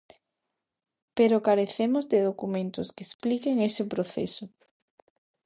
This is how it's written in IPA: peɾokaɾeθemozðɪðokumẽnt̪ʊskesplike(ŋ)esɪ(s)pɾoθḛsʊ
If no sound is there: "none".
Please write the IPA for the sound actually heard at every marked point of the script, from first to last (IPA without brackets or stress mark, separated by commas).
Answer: ŋ, none